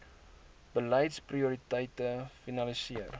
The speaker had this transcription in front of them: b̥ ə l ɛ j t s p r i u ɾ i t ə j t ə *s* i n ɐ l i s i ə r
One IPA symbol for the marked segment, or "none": f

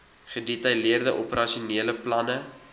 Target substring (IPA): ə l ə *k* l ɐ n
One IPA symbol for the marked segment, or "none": p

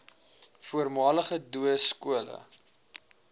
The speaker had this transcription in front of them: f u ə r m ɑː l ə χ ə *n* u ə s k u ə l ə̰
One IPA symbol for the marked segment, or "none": d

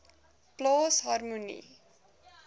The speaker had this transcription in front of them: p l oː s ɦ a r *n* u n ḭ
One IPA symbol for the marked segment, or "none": m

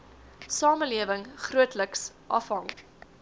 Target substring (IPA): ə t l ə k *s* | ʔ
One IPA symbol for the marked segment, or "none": s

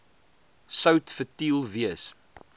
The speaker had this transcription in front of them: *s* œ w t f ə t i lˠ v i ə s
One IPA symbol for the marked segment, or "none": s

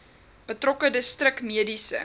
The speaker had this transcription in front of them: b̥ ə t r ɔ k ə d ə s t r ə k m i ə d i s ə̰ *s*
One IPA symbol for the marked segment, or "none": none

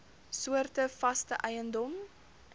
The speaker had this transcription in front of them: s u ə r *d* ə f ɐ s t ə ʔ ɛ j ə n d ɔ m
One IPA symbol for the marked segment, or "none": t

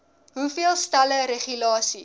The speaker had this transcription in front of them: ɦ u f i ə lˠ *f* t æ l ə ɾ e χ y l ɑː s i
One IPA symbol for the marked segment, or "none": s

